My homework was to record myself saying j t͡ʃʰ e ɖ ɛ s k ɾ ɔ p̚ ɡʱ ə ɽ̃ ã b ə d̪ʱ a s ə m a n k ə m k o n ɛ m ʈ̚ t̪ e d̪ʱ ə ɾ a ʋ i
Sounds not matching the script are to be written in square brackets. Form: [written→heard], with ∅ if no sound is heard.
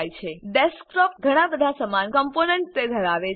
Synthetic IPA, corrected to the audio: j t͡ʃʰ e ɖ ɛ s k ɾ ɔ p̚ ɡʱ ə ɽ̃ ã b ə d̪ʱ a s ə m a n k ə m [k→p] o n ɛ [m→ɳ] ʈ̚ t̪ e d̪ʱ ə ɾ a ʋ [i→e]